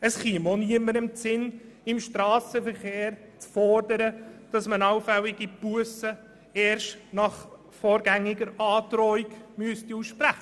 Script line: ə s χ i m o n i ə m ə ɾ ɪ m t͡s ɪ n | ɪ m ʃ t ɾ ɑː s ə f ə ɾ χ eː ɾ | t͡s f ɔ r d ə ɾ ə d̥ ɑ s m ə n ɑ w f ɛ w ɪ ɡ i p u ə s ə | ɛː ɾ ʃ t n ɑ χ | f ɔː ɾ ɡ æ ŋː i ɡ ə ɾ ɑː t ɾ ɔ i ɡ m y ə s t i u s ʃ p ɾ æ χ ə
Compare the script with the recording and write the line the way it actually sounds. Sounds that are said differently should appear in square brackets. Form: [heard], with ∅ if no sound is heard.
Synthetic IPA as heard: ə s χ i m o n i ə m ə ɾ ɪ m t͡s ɪ n | ɪ m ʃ t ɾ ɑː s ə f ə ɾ χ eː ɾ | t͡s f ɔ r d ə ɾ ə d̥ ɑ s m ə n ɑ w f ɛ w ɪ ɡ i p u ə s ə | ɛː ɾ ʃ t n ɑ χ | f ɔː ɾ ɡ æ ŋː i ɡ ə ɾ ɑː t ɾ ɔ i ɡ m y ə s t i u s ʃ p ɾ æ χ ə